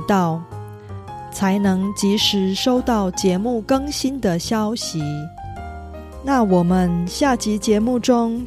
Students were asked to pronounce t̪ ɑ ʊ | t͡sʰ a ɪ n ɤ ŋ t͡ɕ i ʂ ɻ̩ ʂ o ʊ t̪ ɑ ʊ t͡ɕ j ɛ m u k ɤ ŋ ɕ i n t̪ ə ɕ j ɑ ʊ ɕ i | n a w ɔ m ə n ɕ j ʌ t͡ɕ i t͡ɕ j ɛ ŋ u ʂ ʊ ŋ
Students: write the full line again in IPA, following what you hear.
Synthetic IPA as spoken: t̪ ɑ ʊ | t͡sʰ a ɪ n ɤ ŋ t͡ɕ i ʂ ɻ̩ ʂ o ʊ t̪ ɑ ʊ t͡ɕ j ɛ m u k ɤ ŋ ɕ i n d̪ ə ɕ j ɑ ʊ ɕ i | n a w ɔ m ə n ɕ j a t͡ɕ i t͡ɕ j ɛ m u ʈ͡ʂ ʊ ŋ